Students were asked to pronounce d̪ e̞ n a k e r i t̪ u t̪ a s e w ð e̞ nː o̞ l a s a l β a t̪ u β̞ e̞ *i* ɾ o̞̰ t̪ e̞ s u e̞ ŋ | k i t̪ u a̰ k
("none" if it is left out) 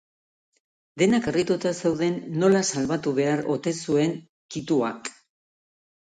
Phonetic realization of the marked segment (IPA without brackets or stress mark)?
a